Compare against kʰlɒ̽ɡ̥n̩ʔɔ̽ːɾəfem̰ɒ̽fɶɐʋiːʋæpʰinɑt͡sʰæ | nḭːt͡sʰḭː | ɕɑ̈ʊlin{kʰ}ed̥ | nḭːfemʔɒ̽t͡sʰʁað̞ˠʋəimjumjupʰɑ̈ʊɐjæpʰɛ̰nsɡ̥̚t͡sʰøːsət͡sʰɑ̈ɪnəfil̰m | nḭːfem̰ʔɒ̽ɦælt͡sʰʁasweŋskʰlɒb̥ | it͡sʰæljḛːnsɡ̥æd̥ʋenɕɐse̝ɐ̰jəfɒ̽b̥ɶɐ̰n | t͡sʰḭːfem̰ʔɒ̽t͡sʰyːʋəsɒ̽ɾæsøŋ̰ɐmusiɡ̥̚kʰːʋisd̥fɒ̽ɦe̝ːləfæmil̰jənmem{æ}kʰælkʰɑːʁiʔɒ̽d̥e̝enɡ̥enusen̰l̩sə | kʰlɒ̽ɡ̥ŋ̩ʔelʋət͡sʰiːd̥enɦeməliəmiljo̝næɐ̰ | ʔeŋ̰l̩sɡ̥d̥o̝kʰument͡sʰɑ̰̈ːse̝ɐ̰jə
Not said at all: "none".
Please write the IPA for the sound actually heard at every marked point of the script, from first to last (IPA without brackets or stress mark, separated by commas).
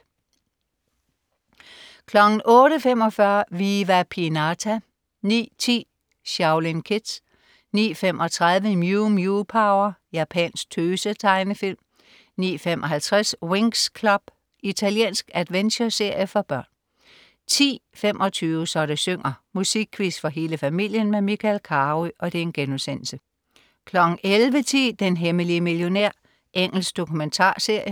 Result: kʰ, i